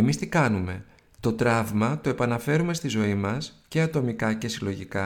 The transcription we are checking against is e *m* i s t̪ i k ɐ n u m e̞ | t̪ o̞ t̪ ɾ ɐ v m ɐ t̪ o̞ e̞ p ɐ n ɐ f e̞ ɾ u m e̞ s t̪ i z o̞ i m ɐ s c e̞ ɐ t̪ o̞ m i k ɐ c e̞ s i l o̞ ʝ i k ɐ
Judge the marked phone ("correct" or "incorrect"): correct